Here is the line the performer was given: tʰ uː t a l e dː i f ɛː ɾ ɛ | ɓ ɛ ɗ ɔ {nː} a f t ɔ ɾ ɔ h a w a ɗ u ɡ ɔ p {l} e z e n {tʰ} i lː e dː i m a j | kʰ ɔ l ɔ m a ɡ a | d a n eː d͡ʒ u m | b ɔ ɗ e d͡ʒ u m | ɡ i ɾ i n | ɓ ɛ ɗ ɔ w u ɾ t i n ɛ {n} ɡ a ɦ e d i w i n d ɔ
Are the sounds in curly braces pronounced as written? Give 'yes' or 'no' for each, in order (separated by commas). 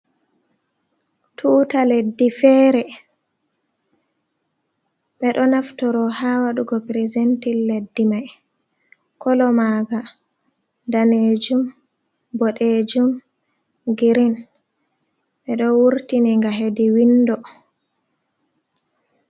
no, no, no, no